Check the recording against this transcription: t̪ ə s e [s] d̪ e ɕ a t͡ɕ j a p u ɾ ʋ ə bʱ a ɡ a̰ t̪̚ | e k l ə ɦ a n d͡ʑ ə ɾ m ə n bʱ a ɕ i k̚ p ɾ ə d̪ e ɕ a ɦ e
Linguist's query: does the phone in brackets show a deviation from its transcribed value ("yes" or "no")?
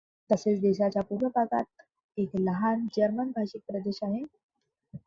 yes